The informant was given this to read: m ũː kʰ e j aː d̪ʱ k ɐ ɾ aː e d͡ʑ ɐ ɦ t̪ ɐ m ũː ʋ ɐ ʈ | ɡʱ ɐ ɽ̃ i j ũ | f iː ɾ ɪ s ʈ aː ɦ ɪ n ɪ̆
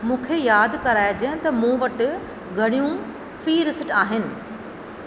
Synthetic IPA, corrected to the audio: m ũː kʰ e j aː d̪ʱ k ɐ ɾ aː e d͡ʑ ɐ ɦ t̪ ɐ m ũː ʋ ɐ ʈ | ɡʱ ɐ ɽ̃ i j ũ | f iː ɾ ɪ s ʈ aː ɦ ɪ n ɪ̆